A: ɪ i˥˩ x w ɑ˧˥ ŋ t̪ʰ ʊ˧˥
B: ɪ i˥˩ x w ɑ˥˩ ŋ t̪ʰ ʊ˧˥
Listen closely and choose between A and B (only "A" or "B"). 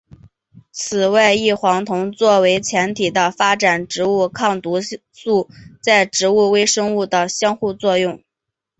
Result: A